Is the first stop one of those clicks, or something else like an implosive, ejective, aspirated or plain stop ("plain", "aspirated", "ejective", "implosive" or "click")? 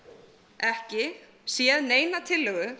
plain